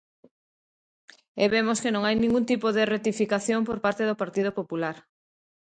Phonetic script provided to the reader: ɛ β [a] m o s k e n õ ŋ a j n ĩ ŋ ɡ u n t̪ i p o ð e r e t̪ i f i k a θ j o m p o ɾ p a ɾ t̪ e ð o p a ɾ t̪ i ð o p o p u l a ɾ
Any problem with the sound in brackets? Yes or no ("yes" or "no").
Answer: yes